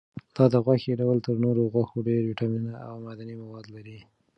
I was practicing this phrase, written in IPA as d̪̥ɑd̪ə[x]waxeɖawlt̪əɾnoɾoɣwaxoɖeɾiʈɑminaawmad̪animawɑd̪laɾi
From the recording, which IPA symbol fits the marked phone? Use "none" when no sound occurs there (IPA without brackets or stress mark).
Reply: ɣ